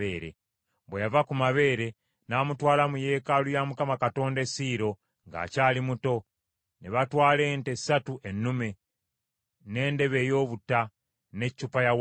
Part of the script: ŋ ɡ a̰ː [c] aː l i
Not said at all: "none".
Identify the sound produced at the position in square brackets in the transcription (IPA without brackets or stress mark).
c